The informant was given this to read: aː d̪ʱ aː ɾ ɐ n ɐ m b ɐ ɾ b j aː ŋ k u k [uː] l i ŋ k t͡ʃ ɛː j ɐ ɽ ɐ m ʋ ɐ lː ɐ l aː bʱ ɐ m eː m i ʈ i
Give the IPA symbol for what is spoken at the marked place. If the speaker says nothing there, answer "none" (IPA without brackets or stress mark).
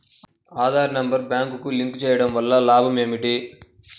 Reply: u